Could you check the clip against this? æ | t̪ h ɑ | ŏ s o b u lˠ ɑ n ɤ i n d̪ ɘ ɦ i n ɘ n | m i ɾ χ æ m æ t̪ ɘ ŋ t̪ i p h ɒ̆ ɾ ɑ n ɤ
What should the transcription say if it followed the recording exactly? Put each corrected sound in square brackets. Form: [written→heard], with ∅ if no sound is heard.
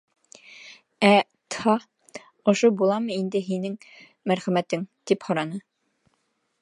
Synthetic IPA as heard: æ | t̪ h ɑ | ŏ [s→ʃ] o b u lˠ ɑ [n→m] ɤ i n d̪ ɘ ɦ i n ɘ [n→ŋ] | m [i→æ] ɾ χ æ m æ t̪ ɘ ŋ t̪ i p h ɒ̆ ɾ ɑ n ɤ